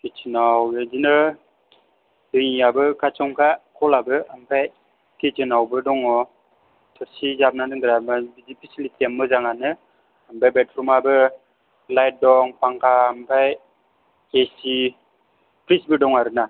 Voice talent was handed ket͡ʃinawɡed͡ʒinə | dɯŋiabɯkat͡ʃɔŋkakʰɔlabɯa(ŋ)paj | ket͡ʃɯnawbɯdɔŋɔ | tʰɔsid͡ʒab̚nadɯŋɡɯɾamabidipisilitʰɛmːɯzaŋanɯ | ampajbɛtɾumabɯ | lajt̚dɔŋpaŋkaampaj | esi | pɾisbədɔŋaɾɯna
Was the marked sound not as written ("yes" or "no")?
yes